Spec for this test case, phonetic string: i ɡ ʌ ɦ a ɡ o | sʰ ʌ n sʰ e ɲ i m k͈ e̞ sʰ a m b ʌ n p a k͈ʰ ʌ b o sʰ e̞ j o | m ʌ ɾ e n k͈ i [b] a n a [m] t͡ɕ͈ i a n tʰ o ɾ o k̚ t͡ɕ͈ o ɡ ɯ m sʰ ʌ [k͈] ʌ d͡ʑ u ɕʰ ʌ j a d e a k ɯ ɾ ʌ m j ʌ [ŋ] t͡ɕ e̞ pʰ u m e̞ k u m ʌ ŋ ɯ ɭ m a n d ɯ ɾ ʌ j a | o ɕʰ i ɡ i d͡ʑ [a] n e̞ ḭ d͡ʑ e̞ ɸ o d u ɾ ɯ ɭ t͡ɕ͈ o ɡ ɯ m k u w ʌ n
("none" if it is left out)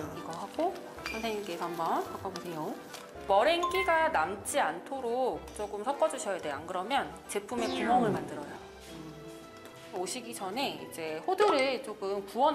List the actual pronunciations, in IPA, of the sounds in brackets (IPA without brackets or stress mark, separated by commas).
ɡ, m, k͈, n, ʌ